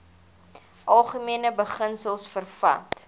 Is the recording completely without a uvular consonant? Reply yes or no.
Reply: no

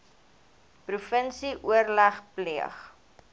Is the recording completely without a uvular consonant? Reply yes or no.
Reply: no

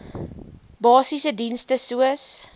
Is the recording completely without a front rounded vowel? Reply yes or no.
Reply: yes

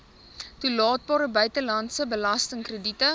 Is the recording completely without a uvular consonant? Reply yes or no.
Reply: yes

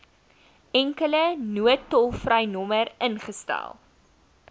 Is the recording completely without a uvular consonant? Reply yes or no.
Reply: no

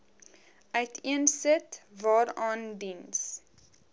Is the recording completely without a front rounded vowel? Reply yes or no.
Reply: no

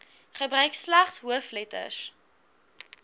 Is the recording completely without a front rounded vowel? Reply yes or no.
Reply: no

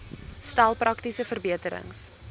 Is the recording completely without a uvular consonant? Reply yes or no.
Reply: yes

